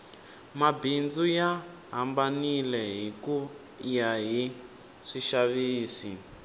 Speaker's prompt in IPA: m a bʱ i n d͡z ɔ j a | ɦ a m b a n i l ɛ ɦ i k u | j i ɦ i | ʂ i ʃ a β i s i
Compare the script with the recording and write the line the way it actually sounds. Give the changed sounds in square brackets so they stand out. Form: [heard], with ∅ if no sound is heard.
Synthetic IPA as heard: m a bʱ i n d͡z [u] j a | ɦ a m b a n i l ɛ ɦ i k u | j [a] ɦ i | ʂ i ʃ a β [iː] s i